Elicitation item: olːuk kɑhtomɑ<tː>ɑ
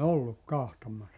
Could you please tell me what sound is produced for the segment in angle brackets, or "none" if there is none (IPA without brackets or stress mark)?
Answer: sː